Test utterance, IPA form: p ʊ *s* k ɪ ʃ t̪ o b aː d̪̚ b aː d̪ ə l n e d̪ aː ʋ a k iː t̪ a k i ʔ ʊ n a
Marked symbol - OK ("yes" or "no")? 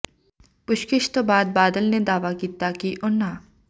no